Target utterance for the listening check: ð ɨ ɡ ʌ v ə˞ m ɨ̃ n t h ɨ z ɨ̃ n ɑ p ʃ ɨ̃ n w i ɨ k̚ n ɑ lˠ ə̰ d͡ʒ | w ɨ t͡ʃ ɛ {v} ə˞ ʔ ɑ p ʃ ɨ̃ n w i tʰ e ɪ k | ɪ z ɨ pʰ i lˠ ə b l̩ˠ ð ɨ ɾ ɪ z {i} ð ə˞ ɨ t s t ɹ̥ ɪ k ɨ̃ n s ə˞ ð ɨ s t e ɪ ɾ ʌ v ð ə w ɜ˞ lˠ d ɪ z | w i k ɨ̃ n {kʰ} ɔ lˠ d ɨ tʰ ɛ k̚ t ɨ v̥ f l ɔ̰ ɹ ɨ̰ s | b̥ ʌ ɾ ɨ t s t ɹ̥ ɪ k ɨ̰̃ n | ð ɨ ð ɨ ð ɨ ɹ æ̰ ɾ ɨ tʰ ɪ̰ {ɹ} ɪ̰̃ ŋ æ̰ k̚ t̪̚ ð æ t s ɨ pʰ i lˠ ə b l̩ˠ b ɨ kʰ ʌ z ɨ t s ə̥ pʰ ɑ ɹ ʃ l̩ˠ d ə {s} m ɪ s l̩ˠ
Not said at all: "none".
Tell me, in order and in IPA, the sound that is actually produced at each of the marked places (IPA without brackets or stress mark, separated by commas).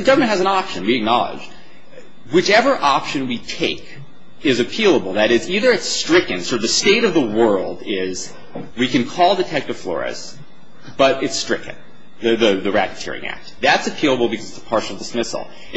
v, i, kʰ, ɹ, s